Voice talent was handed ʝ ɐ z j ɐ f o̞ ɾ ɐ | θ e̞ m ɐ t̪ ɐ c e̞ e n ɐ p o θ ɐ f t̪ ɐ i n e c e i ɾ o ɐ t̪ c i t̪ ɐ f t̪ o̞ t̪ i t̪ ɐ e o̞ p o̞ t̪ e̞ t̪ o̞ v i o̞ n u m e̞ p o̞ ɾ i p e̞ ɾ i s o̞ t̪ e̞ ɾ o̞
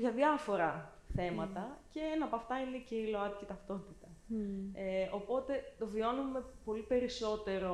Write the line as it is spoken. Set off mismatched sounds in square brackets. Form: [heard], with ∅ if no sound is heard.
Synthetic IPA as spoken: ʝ ɐ [ð] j ɐ f o̞ ɾ ɐ | θ e̞ m ɐ t̪ ɐ c e̞ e n ɐ p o [∅] ɐ f t̪ ɐ i n e c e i [l] o ɐ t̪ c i t̪ ɐ f t̪ o̞ t̪ i t̪ ɐ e o̞ p o̞ t̪ e̞ t̪ o̞ v i o̞ n u m e̞ p o̞ [l] i p e̞ ɾ i s o̞ t̪ e̞ ɾ o̞